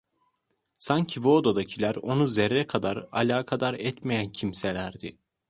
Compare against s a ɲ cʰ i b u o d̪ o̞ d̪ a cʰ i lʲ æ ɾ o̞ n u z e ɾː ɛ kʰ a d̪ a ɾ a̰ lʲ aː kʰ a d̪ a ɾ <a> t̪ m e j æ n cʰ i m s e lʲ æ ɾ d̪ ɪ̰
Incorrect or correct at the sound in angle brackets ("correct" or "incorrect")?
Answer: incorrect